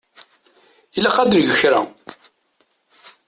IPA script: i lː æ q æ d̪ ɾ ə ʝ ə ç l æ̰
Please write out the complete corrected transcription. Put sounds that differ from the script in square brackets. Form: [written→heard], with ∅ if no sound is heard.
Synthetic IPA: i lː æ q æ d̪ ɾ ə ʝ ə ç [l→ɾ] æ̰